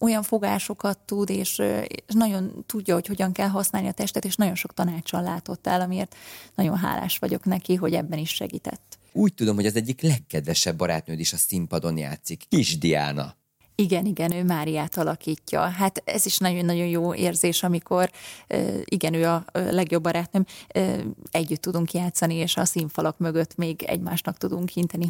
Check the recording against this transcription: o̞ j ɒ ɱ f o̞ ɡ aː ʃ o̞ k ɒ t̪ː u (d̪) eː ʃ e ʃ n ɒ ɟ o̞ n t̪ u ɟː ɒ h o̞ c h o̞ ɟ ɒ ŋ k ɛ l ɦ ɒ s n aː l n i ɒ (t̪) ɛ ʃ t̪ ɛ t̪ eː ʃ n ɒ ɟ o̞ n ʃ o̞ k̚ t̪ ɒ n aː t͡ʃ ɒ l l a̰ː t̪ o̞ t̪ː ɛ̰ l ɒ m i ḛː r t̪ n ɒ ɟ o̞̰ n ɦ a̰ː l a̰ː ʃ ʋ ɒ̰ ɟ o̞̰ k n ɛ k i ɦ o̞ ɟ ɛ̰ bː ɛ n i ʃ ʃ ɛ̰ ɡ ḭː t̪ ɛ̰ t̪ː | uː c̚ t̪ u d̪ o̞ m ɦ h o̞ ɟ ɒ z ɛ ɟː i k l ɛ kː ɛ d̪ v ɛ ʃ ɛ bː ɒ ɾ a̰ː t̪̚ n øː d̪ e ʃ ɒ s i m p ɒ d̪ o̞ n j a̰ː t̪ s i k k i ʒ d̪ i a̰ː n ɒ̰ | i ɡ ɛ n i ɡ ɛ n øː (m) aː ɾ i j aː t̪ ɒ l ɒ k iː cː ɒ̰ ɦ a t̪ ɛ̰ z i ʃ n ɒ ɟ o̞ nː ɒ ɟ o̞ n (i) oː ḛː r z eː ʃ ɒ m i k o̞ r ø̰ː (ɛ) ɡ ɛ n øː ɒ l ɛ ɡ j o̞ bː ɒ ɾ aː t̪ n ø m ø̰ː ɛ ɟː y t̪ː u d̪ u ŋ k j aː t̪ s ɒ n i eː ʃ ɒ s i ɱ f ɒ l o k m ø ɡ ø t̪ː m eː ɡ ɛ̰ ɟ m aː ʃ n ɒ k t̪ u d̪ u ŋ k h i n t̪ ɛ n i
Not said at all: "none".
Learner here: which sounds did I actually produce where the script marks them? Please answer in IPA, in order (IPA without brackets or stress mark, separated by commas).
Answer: d̪, t̪, m, j, i